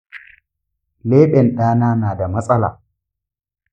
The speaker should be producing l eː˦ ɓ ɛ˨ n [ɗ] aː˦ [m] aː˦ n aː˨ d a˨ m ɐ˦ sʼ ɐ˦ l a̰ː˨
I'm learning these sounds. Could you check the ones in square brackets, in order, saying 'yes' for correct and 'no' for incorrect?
yes, no

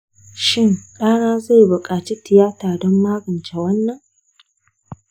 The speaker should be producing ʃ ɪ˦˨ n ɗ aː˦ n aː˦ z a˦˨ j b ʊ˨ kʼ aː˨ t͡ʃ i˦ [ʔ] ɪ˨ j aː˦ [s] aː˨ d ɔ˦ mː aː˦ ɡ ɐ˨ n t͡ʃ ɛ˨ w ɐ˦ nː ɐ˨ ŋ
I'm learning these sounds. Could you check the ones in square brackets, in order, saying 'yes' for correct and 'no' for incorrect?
no, no

